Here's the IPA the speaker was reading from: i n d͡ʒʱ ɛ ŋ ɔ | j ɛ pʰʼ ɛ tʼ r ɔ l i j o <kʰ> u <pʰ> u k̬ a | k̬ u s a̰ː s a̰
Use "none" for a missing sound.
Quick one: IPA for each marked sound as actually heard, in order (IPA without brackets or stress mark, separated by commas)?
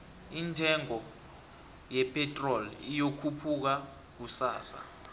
kʰ, pʰ